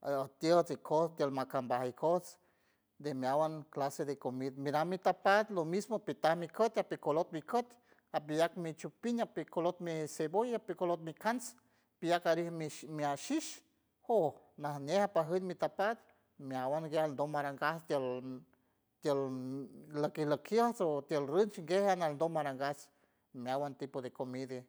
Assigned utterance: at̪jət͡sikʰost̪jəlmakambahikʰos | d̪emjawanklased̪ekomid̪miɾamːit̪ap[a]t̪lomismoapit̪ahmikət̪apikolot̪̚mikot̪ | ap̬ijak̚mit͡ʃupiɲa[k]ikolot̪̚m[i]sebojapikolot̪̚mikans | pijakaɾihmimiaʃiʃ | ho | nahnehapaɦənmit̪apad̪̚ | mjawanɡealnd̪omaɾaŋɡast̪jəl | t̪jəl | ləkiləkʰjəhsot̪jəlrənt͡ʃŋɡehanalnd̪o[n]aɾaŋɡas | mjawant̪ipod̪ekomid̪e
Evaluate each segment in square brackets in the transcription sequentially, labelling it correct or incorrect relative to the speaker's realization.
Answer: correct, incorrect: p, correct, incorrect: m

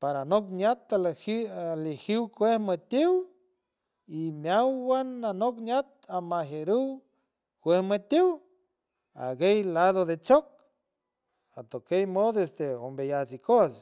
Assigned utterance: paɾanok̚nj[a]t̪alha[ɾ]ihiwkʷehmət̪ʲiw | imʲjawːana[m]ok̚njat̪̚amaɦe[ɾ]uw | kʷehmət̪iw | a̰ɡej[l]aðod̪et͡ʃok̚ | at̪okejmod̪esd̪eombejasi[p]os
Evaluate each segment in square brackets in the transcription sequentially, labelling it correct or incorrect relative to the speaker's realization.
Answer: correct, incorrect: l, incorrect: n, correct, correct, incorrect: k

